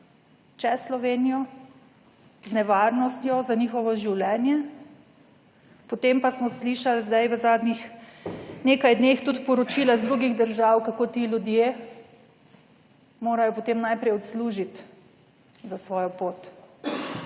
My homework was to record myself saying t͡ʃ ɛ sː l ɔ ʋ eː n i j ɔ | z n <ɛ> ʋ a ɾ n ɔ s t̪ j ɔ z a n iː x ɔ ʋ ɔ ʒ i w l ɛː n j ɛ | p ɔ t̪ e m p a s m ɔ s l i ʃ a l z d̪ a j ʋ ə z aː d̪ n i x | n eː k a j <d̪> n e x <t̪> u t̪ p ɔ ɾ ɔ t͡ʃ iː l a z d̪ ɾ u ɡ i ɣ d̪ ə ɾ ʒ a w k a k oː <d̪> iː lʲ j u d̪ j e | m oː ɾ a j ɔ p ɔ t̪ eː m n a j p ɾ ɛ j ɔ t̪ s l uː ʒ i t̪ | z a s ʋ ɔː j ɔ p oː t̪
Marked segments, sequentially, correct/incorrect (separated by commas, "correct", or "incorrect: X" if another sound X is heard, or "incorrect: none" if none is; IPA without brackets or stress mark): correct, correct, correct, incorrect: t̪